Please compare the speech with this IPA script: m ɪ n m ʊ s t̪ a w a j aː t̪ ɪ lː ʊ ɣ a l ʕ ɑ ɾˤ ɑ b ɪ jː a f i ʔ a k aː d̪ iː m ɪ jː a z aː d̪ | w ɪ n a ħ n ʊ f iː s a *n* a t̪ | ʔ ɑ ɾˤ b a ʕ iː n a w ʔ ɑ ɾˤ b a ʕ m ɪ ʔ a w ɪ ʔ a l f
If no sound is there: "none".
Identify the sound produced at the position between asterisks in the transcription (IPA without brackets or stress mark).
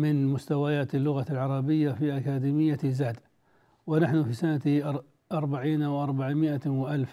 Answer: n